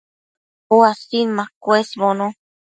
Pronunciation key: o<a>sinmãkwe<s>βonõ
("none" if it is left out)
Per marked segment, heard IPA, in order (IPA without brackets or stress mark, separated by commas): a, s